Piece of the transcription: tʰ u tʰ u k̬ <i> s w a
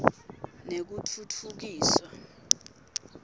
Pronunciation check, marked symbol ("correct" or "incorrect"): incorrect